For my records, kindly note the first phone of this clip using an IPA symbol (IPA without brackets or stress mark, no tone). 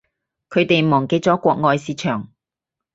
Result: kʰ